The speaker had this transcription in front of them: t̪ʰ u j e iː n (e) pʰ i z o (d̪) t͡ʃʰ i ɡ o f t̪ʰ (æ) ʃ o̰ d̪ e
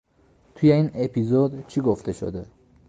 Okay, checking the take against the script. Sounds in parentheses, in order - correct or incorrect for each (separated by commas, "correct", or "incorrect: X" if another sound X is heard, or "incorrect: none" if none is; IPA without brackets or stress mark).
correct, correct, incorrect: e